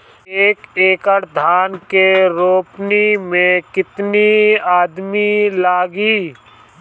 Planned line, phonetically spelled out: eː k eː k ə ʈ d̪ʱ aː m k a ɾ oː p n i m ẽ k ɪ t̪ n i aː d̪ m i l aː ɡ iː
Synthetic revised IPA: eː k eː k ə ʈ d̪ʱ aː n k e ɾ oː p n i m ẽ k ɪ t̪ n i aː d̪ m i l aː ɡ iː